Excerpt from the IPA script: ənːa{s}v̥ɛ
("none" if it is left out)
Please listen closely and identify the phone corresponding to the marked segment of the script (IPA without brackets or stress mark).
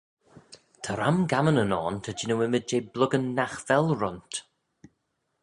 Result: x